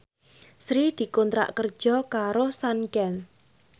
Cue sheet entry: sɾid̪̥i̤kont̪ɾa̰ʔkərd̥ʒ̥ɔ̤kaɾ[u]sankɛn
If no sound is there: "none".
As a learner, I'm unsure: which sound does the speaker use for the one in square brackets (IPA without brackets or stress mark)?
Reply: o